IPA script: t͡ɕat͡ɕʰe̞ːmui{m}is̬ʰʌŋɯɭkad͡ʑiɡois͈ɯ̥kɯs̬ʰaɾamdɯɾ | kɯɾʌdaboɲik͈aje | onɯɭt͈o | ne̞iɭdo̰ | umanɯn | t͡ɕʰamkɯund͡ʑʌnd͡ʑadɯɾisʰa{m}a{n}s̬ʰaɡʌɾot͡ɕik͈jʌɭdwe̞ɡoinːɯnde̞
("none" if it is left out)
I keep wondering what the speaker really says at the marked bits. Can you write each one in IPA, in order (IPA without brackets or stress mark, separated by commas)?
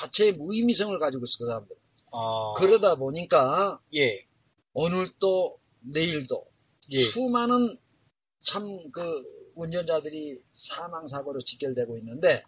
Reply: m, m, ŋ